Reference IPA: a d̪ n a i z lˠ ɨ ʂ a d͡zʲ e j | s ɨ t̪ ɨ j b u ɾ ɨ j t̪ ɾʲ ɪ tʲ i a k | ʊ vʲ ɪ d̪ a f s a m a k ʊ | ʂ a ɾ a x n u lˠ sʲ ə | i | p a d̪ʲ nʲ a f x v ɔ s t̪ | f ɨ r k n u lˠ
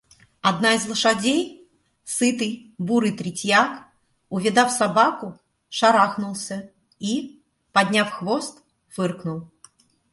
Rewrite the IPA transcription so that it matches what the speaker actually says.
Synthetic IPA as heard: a d̪ n a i z lˠ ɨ ʂ a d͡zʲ e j | s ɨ t̪ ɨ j b u ɾ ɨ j t̪ ɾʲ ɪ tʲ j a k | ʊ vʲ ɪ d̪ a f s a b a k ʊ | ʂ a ɾ a x n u lˠ sʲ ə | i | p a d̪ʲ nʲ a f x v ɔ s t̪ | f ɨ r k n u lˠ